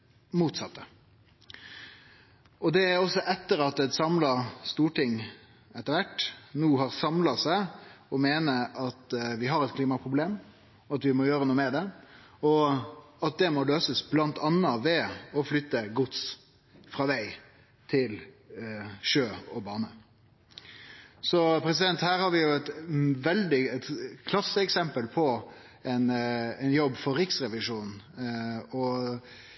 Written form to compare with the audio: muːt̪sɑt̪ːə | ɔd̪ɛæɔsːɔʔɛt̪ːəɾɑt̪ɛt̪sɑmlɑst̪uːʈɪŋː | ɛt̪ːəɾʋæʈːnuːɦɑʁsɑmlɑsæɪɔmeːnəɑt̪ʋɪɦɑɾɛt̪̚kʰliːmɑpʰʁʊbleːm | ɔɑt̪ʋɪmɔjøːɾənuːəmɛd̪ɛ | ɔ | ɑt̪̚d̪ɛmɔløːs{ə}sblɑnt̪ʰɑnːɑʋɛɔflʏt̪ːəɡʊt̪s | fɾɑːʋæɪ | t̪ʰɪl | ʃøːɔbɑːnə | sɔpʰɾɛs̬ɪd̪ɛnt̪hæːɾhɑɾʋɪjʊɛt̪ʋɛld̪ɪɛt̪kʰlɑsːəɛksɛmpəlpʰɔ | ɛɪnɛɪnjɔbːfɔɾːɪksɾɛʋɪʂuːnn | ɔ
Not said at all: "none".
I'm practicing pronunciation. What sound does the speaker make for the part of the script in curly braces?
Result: ə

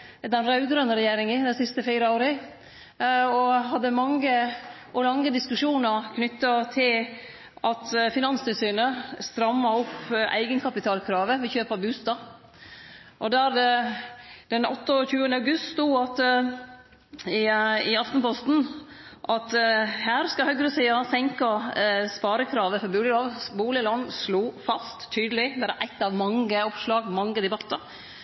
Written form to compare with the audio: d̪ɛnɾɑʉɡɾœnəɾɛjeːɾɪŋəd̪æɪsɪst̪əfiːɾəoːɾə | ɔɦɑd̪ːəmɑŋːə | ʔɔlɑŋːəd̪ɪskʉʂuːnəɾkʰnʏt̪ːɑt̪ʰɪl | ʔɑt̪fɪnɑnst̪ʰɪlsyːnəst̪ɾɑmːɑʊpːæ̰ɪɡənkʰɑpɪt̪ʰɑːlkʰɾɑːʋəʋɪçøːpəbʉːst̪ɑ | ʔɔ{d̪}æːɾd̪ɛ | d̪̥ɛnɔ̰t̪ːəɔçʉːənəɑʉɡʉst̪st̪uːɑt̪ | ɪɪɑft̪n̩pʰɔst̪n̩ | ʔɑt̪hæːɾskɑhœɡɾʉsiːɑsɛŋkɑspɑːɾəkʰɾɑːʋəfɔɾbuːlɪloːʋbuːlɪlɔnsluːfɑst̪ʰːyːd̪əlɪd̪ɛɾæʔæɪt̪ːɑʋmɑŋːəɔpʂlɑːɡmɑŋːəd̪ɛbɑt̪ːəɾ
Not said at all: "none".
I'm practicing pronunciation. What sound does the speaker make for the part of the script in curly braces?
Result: d̪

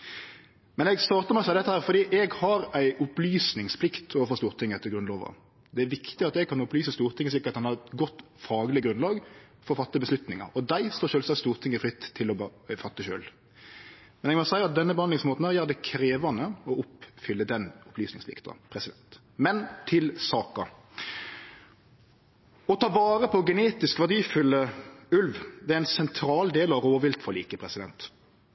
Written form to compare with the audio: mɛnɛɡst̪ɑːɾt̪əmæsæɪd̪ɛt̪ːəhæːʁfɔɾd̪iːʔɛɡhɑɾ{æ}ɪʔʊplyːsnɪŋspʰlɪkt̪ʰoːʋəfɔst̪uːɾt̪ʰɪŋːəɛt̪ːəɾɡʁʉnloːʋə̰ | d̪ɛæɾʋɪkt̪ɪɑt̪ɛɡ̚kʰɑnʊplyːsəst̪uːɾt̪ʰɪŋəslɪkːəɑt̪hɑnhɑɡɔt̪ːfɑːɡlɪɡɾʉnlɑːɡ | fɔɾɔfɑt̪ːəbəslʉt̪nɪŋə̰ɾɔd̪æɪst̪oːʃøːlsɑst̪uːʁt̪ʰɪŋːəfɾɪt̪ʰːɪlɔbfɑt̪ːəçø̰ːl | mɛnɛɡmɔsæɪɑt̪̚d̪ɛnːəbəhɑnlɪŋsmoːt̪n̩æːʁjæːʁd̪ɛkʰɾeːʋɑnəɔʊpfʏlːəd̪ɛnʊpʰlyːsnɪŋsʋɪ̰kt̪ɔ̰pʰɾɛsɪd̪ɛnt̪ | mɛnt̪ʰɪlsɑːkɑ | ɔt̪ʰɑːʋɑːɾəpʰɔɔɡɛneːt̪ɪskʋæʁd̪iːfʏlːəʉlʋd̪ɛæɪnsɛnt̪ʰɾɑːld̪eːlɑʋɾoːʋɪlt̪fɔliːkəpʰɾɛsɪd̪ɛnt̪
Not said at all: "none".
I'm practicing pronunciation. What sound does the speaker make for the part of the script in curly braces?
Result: æ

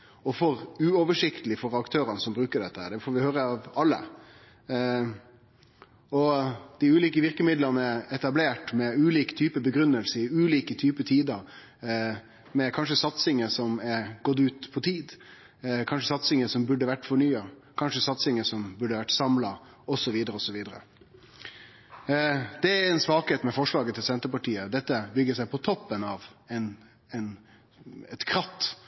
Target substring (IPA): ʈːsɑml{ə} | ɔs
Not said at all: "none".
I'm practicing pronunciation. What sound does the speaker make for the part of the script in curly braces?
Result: ɑ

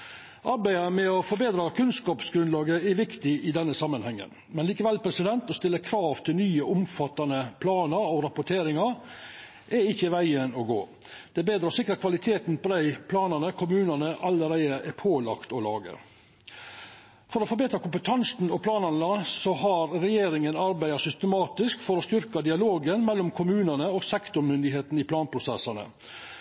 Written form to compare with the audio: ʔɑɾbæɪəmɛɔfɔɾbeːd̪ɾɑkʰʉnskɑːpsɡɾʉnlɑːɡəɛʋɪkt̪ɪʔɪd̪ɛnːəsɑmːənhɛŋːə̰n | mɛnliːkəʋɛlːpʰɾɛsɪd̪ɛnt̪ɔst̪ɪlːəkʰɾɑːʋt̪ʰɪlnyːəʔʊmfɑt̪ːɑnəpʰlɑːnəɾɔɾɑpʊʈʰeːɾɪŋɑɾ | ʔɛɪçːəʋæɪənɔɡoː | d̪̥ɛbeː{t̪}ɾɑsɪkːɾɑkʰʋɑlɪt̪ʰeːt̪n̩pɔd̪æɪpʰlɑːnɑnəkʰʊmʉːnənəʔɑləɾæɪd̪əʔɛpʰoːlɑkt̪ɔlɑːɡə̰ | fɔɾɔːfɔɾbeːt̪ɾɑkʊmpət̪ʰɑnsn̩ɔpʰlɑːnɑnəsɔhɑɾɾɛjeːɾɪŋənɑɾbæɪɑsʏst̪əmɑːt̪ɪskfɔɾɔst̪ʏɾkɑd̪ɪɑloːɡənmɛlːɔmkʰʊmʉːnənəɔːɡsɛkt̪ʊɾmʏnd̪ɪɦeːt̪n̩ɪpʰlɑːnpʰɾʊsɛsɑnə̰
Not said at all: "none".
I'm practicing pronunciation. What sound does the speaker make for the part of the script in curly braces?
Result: d̪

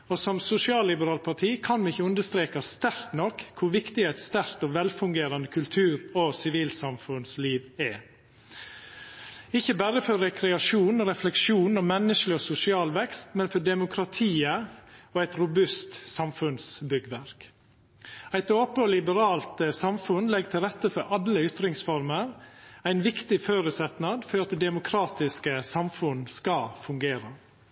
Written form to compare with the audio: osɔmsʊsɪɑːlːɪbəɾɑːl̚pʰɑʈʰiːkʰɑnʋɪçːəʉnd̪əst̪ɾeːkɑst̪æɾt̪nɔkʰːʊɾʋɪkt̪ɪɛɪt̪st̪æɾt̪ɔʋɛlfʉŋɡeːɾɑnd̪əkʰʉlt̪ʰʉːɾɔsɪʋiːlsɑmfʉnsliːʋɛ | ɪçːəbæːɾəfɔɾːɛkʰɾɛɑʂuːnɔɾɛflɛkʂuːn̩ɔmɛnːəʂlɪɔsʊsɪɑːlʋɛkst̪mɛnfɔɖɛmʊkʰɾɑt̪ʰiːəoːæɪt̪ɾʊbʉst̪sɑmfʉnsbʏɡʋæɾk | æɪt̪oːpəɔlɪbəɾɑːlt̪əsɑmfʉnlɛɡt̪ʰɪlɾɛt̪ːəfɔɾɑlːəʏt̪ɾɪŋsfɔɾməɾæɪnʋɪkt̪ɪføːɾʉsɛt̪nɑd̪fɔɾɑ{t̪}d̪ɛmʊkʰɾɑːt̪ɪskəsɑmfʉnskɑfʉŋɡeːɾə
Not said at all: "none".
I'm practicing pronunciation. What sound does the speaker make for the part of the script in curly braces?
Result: t̪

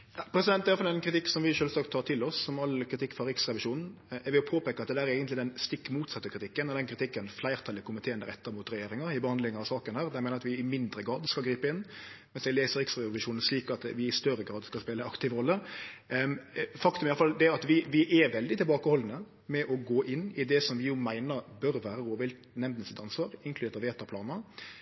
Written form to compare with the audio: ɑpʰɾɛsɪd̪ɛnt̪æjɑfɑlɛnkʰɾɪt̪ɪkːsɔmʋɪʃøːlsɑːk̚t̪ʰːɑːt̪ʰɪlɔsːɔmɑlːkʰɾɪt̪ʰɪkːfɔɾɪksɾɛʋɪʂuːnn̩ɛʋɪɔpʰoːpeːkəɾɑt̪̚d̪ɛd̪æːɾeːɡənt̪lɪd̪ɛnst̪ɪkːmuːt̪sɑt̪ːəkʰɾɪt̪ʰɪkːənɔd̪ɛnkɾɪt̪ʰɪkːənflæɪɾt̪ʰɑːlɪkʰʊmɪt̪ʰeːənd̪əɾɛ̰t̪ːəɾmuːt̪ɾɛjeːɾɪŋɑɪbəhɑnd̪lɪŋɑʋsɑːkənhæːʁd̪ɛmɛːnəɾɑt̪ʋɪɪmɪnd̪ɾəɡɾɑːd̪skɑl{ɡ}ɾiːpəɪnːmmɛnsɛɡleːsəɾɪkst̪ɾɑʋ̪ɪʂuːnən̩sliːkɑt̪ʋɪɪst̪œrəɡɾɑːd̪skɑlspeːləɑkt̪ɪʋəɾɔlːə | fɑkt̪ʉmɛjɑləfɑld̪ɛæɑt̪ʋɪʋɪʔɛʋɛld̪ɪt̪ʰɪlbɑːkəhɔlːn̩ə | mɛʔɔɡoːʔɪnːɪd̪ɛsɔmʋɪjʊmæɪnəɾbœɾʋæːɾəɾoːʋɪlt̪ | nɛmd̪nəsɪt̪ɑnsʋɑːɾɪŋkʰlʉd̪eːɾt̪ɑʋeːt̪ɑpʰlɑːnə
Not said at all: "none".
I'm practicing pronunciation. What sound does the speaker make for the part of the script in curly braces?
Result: ɡ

